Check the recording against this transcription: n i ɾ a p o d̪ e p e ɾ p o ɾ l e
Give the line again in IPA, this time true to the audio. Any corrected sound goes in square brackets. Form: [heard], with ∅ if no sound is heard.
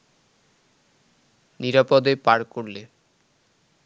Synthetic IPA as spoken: n i ɾ a p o d̪ e p [a] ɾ [k] o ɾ l e